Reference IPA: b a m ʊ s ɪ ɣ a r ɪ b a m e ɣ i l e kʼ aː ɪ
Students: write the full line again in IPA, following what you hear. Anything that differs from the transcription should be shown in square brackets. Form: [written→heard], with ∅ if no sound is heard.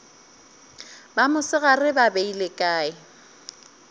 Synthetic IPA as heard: b a m ʊ s ɪ ɣ a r ɪ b a [m→b] e [ɣ→∅] i l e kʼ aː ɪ